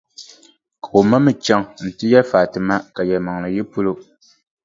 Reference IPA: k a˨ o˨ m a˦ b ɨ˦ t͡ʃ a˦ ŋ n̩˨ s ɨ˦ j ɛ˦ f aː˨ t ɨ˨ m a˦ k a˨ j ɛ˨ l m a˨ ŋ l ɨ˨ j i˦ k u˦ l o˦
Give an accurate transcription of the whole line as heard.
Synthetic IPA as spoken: k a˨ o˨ m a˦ m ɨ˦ t͡ʃ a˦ ŋ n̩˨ t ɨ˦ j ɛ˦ f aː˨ t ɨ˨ m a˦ k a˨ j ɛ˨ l m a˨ ŋ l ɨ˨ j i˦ p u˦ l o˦